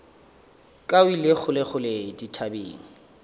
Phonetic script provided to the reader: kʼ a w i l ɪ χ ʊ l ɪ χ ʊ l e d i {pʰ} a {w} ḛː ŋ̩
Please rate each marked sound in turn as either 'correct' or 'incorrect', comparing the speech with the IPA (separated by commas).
incorrect, incorrect